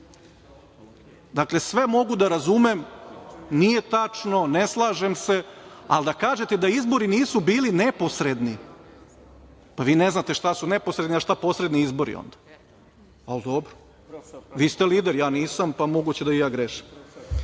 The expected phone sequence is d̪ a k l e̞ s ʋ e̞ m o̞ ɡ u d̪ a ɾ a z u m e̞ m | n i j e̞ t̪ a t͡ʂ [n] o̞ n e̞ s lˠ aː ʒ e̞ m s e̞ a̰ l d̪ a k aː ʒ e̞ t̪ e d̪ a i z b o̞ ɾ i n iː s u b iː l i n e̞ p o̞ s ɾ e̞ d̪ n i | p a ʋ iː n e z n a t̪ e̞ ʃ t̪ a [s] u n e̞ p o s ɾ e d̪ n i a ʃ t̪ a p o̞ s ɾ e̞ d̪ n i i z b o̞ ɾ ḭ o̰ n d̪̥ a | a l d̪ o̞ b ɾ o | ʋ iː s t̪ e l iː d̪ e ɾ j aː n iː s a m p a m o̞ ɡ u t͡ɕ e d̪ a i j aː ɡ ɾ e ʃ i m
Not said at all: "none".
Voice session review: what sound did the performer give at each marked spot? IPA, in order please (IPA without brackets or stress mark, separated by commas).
n, s